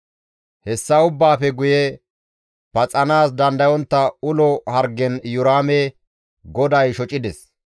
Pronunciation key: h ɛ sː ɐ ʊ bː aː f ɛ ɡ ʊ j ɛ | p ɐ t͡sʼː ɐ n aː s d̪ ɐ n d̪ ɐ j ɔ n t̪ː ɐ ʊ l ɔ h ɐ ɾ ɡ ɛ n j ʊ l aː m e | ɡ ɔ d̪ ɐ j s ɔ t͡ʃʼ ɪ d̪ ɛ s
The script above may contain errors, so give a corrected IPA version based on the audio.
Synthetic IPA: h ɛ sː ɐ ʊ bː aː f ɛ ɡ ʊ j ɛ | p ɐ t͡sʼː ɐ n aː s d̪ ɐ n d̪ ɐ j ɔ n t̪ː ɐ ʊ l ɔ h ɐ ɾ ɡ ɛ n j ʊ ɾ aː m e | ɡ ɔ d̪ ɐ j ʃ ɔ t͡ʃʼ ɪ d̪ ɛ s